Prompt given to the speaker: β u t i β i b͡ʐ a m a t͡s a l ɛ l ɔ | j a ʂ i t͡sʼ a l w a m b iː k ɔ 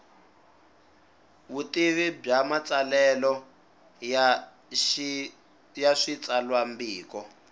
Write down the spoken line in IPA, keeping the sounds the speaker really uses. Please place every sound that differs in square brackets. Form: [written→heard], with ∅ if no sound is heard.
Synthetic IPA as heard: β u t i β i b͡ʐ a m a t͡s a l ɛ l ɔ | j a ʂ i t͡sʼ a l w a m b iː k ɔ